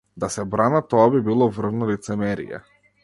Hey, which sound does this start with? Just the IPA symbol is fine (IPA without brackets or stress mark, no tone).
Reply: d̪